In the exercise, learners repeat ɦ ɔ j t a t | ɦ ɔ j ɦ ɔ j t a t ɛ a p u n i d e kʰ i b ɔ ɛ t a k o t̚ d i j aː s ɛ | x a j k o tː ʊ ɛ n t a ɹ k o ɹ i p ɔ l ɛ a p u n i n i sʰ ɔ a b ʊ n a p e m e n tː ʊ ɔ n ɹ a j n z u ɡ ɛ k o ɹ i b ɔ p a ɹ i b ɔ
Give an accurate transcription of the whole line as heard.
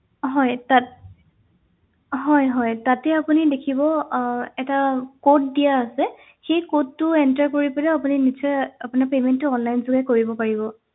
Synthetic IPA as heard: ɦ ɔ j t a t | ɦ ɔ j ɦ ɔ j t a t ɛ a p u n i d e kʰ i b ɔ ɛ t a k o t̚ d i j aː s ɛ | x e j k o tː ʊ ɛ n t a ɹ k o ɹ i p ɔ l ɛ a p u n i n i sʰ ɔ a p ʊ n a p e m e n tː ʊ ɔ n l a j n z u ɡ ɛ k o ɹ i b ɔ p a ɹ i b ɔ